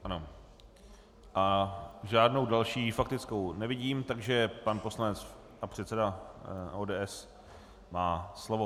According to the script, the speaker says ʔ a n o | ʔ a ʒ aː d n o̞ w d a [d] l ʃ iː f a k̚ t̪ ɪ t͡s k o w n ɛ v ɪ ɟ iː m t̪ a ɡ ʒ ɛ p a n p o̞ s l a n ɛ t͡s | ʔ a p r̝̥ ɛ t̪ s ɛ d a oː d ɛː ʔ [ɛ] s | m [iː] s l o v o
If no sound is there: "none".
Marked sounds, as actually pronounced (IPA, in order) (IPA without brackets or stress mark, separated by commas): none, ɛ, aː